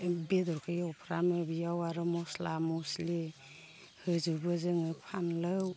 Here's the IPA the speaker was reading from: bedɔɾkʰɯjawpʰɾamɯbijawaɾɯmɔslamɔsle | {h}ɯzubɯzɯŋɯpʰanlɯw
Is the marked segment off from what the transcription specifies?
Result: no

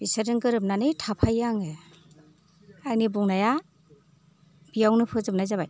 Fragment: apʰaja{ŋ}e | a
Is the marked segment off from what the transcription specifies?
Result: no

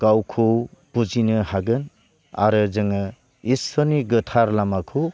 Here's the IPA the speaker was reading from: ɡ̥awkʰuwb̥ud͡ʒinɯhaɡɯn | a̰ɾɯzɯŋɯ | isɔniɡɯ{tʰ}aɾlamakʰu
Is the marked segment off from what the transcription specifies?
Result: no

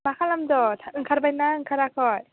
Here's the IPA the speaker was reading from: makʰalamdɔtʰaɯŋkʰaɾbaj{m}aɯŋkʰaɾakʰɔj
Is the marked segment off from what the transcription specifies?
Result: yes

